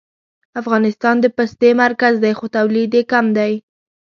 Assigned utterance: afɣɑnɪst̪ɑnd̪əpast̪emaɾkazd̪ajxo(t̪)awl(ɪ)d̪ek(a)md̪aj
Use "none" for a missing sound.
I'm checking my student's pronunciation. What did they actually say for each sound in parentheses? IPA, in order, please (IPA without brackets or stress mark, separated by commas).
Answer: t̪, i, a